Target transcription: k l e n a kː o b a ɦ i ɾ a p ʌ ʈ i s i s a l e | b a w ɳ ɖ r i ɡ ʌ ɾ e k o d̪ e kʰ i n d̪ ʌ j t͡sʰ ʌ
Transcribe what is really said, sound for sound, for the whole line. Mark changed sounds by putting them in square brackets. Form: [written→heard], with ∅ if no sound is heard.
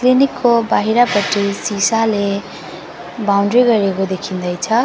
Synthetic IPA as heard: k l [e→i] n [a→i] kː o b a ɦ i ɾ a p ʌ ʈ i s i s a l e | b a w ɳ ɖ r i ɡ ʌ ɾ e k o d̪ e kʰ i n d̪ ʌ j t͡sʰ ʌ